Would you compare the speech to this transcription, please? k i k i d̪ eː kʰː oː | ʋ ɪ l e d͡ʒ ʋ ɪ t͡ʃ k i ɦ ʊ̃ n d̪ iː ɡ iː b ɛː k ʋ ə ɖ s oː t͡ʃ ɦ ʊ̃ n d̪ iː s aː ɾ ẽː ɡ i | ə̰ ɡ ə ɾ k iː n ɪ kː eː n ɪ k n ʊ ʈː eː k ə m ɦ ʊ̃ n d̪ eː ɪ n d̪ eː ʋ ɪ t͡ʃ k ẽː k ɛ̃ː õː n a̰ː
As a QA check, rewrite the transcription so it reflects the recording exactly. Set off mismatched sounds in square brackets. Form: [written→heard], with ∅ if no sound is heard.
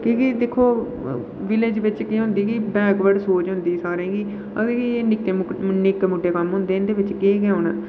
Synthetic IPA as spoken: k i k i d̪ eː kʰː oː | ʋ ɪ l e d͡ʒ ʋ ɪ t͡ʃ k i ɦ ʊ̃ n d̪ iː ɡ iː b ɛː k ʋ ə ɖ s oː t͡ʃ ɦ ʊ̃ n d̪ iː s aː ɾ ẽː ɡ [i→iː] | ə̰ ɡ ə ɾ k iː n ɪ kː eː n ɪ k [n→m] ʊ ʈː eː k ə m ɦ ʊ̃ n d̪ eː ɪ n d̪ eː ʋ ɪ t͡ʃ k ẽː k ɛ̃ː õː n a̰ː